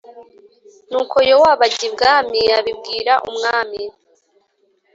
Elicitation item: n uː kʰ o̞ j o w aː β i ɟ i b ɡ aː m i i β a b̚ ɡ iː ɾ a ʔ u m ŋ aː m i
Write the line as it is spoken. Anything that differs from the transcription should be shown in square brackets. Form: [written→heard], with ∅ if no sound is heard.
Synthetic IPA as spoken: n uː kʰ o̞ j o w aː β [i→a] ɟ i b ɡ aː m i [i→a] β [a→i] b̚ ɡ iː ɾ a ʔ u m ŋ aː m i